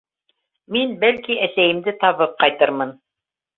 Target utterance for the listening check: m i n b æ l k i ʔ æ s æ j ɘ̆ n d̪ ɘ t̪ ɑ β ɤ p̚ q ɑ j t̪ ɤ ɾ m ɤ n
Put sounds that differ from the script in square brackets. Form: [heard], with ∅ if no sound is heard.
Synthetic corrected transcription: m i n b æ l k i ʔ æ s æ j ɘ̆ [m] d̪ ɘ t̪ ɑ β ɤ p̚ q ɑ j t̪ ɤ ɾ m ɤ n

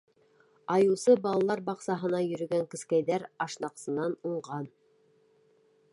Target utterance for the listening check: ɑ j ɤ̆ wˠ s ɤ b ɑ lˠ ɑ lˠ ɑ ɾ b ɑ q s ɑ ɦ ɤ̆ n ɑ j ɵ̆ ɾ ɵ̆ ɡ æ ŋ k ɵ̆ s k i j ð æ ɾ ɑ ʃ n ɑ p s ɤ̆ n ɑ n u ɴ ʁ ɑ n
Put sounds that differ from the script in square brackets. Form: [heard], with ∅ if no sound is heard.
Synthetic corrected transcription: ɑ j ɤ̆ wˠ s ɤ b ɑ lˠ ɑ lˠ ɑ ɾ b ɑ q s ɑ ɦ ɤ̆ n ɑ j ɵ̆ ɾ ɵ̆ ɡ æ ŋ k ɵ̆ s k [æ] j ð æ ɾ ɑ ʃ n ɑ [q] s ɤ̆ n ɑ n u ɴ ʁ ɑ n

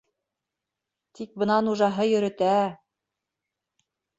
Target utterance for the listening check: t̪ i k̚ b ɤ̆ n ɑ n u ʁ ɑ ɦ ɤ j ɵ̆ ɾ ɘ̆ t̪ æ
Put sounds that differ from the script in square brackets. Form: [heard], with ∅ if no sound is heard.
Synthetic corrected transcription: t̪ i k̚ b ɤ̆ n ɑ n u [ʒ] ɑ ɦ ɤ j ɵ̆ ɾ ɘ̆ t̪ æ

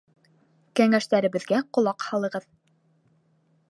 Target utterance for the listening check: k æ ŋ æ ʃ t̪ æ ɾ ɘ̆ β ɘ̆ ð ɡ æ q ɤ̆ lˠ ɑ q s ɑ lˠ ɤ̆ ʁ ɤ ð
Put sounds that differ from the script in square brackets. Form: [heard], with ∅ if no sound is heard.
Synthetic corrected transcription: k æ ŋ æ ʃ t̪ æ ɾ ɘ̆ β ɘ̆ ð ɡ æ q [ŏ] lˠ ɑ q [h] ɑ lˠ ɤ̆ ʁ ɤ ð

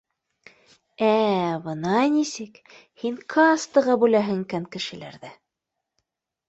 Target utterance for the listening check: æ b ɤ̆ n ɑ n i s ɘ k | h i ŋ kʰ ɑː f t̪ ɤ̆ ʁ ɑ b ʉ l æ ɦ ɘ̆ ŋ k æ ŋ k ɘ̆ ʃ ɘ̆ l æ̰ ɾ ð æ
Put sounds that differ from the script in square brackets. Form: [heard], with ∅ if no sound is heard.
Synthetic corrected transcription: æ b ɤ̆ n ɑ n i s ɘ k | h i ŋ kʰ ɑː [s] t̪ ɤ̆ ʁ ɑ b ʉ l æ ɦ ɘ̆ ŋ k æ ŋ k ɘ̆ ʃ ɘ̆ l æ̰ ɾ ð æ

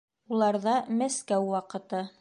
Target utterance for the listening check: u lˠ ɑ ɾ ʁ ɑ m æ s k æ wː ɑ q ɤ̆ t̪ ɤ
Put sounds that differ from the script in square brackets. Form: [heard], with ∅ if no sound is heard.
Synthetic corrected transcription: u lˠ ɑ ɾ [ð] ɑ m æ s k æ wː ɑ q ɤ̆ t̪ ɤ

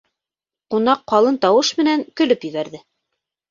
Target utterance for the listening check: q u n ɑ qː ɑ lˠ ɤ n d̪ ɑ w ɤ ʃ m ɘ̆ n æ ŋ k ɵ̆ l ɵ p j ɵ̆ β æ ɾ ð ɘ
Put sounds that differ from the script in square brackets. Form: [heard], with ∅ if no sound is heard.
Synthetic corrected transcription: q u n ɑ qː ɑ lˠ ɤ n [t̪] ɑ w ɤ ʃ m ɘ̆ n æ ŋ k ɵ̆ l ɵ p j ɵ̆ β æ ɾ ð ɘ

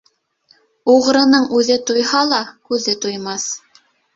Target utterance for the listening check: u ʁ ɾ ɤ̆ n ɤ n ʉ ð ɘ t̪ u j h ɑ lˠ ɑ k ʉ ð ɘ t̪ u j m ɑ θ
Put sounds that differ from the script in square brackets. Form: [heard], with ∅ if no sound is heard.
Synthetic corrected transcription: u ʁ ɾ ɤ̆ n ɤ [ɴ] ʉ ð ɘ t̪ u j h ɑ lˠ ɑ k ʉ ð ɘ t̪ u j m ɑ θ

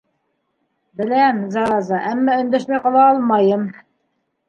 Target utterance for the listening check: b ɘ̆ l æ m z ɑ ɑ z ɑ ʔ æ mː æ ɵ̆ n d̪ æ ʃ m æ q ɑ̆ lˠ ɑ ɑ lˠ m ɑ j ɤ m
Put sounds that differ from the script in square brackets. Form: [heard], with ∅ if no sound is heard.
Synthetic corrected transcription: b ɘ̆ l æ m z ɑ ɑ z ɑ ʔ æ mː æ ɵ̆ n d̪ æ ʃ m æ q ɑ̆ lˠ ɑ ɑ lˠ m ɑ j ɤ m

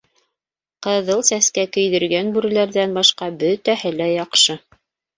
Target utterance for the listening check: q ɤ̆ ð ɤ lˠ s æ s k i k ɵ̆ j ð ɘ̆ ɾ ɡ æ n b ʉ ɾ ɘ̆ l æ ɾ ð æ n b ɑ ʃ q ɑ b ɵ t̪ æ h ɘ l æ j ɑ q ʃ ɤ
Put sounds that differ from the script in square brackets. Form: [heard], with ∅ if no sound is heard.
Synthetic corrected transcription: q ɤ̆ ð ɤ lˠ s æ s k [æ] k ɵ̆ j ð ɘ̆ ɾ ɡ æ n b ʉ ɾ ɘ̆ l æ ɾ ð æ n b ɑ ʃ q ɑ b ɵ t̪ æ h ɘ l æ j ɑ q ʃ ɤ

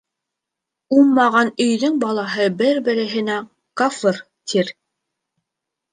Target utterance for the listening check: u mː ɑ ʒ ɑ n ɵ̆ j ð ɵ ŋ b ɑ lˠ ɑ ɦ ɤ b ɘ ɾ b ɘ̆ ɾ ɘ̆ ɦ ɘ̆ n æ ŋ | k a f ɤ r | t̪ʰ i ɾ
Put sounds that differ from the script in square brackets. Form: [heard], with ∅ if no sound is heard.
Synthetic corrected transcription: u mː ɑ [ʁ] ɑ n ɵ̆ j ð ɵ ŋ b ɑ lˠ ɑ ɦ ɤ b ɘ ɾ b ɘ̆ ɾ ɘ̆ ɦ ɘ̆ n æ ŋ | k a f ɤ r | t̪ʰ i ɾ

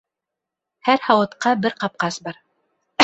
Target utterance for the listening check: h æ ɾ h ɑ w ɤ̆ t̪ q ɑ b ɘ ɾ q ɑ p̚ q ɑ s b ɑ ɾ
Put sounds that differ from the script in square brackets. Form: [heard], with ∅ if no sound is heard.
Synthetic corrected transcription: h æ ɾ h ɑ w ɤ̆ t̪ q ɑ b ɘ ɾ q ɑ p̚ q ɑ s b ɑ ɾ

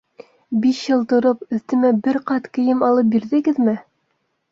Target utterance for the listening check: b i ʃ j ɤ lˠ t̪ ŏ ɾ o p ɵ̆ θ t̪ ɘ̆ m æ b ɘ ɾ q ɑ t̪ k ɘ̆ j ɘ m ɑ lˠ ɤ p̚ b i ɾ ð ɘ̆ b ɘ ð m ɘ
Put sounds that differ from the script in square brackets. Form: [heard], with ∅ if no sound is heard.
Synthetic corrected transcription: b i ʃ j ɤ lˠ t̪ ŏ ɾ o p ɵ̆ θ t̪ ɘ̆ m æ b ɘ ɾ q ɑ t̪ k ɘ̆ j ɘ m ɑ lˠ ɤ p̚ b i ɾ ð ɘ̆ [ɡ] ɘ ð m ɘ

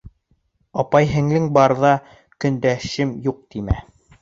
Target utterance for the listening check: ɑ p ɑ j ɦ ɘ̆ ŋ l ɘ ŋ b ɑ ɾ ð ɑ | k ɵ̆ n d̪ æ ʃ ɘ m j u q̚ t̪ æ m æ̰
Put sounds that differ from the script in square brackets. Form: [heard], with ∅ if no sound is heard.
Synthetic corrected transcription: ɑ p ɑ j ɦ ɘ̆ ŋ l ɘ ŋ b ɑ ɾ ð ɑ | k ɵ̆ n d̪ æ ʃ ɘ m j u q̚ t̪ [i] m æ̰

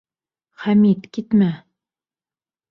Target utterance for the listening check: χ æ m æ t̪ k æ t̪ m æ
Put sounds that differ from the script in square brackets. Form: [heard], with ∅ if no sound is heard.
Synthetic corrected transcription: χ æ m [i] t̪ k [i] t̪ m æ

